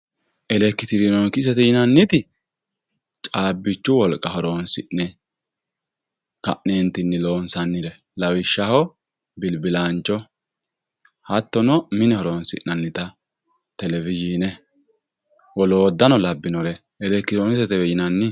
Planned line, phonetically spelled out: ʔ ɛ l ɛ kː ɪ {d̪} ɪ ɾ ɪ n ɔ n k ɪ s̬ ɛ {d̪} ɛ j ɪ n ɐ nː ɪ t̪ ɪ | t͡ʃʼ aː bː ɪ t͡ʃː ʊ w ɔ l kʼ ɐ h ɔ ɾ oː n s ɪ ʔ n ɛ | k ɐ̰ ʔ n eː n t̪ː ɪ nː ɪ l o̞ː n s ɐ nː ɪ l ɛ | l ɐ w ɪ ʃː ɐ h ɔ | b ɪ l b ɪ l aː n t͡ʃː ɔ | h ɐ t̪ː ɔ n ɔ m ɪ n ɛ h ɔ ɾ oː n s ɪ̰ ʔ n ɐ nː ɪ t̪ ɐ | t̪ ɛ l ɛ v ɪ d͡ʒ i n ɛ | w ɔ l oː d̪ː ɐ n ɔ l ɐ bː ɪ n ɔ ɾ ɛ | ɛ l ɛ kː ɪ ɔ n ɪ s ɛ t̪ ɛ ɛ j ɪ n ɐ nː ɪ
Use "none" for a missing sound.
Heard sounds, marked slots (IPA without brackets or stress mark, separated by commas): t̪, t̪